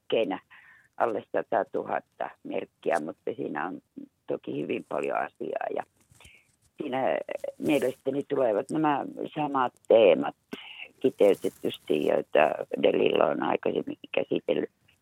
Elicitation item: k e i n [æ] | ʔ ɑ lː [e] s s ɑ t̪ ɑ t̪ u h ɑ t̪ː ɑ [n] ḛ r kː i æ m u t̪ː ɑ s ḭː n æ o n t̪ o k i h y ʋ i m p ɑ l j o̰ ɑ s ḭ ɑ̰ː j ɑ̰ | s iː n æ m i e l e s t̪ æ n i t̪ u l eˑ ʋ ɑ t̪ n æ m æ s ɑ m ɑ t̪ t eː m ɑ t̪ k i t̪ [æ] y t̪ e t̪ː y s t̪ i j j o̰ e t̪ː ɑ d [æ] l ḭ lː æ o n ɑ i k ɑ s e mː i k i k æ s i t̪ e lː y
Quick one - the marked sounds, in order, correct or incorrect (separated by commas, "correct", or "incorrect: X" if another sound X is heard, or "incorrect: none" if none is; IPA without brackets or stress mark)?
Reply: correct, correct, incorrect: m, incorrect: e, incorrect: e